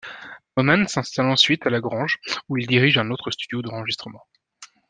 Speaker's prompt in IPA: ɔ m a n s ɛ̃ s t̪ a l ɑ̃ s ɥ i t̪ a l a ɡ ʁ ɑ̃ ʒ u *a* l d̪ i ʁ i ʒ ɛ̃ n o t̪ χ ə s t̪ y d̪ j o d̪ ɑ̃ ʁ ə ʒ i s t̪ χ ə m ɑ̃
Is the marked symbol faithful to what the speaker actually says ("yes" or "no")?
no